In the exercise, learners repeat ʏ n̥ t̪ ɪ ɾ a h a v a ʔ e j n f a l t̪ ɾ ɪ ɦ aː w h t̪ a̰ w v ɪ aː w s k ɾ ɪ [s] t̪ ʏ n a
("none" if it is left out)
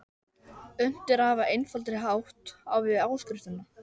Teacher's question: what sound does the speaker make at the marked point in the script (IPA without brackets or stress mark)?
f